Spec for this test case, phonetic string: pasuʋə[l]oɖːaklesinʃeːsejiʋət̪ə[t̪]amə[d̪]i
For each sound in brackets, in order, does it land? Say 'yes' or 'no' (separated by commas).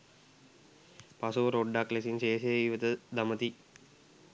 no, no, no